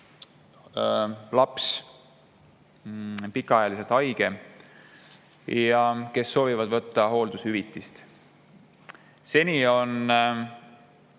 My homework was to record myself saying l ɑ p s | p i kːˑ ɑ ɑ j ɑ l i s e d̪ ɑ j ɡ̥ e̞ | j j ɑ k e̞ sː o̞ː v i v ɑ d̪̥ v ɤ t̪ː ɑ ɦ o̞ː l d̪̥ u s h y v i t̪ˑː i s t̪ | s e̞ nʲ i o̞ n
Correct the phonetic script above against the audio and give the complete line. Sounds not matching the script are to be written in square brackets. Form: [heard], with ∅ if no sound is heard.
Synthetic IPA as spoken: l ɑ p s | p i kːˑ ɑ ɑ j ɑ l i s e [t̪] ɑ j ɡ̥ e̞ | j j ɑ k e̞ sː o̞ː v i v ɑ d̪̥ v ɤ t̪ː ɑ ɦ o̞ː l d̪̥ u s h y v i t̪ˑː i s t̪ | s e̞ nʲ i o̞ n

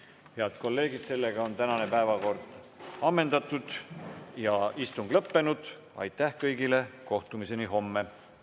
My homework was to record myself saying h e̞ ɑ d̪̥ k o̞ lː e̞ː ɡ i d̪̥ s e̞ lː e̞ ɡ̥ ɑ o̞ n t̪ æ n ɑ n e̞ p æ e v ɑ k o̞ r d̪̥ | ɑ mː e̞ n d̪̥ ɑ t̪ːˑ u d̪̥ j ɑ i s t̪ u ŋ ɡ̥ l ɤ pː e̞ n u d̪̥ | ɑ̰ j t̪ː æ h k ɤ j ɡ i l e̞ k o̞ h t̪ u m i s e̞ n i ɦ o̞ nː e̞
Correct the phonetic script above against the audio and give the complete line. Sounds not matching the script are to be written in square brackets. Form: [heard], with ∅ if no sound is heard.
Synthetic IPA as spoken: h e̞ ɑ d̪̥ k o̞ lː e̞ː ɡ i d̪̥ s e̞ lː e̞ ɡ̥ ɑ o̞ n t̪ æ n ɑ n e̞ p æ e v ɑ k o̞ r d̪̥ | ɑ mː e̞ n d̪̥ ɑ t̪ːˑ u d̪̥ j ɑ i s t̪ u ŋ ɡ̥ l ɤ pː e̞ n u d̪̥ | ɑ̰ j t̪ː æ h k ɤ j ɡ i l e̞ k o̞ h t̪ u m i s e̞ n i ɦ o̞ [mː] e̞

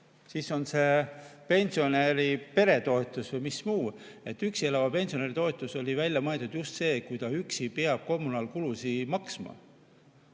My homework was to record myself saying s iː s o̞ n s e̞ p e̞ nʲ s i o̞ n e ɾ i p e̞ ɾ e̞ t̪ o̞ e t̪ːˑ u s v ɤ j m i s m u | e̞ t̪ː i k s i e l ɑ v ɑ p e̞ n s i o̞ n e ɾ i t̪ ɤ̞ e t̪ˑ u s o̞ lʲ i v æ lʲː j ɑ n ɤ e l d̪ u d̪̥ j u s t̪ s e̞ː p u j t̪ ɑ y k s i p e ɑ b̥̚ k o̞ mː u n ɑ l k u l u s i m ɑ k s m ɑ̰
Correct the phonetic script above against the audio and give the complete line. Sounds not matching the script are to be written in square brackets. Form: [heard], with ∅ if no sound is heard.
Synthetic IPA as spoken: s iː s o̞ n s e̞ p e̞ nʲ s i o̞ n e ɾ i p e̞ ɾ e̞ t̪ o̞ e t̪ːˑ u s v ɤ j m i s m [uː] | e̞ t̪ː [y] k s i e l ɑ v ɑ p e̞ n s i o̞ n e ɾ i t̪ [o̞] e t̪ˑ u s o̞ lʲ i v æ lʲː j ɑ [m] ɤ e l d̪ u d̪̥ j u s t̪ s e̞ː [k] u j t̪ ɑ y k s i p e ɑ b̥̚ k o̞ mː u n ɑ l k u l u s i m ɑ k s m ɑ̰

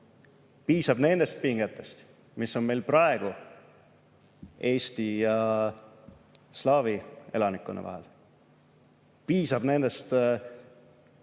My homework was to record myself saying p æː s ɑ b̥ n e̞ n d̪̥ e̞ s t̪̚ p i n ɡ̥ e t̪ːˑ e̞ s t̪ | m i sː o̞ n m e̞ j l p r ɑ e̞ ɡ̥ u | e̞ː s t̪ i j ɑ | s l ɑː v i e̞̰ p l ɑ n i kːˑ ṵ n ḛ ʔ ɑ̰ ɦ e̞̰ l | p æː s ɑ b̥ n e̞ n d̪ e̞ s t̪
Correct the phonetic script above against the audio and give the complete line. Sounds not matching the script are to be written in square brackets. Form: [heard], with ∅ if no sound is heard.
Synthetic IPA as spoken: p [iː] s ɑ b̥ n e̞ n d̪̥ e̞ s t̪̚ p i [ŋ] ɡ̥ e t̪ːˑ e̞ s t̪ | m i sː o̞ n m e̞ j l p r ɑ e̞ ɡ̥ u | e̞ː s t̪ i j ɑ | s l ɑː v i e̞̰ [∅] l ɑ n i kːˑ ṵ n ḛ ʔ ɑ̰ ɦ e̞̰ l | p [iː] s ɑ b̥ n e̞ n d̪ e̞ s t̪

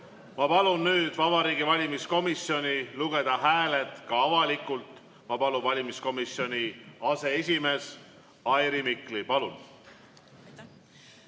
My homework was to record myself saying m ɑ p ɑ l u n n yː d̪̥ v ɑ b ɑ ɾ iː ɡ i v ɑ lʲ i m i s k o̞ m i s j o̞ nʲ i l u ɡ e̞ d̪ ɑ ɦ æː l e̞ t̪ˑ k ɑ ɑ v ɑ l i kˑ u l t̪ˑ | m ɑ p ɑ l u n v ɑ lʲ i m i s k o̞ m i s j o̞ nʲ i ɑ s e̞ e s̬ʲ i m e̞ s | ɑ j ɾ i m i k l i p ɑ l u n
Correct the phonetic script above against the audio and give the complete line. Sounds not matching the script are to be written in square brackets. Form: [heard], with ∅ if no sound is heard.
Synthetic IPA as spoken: m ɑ p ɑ l u n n yː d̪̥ v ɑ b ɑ ɾ iː ɡ i v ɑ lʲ i m i s k o̞ m i s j o̞ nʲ i l u ɡ e̞ d̪ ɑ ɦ æː l e̞ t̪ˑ k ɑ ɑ v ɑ l i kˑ u l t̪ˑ | m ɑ p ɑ l u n v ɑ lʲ i m i s k o̞ m i s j o̞ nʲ i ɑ s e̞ e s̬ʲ i m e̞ s | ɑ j ɾ i m i k l i p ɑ l u n

